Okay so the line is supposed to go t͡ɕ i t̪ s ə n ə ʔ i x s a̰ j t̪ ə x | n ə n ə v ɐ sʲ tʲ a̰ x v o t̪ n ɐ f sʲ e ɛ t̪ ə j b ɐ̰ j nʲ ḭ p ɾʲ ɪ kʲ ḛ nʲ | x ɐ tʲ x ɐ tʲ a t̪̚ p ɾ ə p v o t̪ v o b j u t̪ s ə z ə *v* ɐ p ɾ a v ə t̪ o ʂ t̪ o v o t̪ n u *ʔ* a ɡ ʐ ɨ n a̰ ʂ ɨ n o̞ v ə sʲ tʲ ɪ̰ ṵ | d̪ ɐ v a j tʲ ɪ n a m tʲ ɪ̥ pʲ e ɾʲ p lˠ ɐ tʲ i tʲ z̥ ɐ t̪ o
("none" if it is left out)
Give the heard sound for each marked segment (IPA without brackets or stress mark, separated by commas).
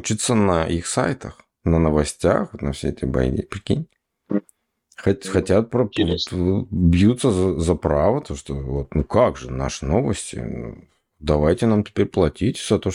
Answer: z, k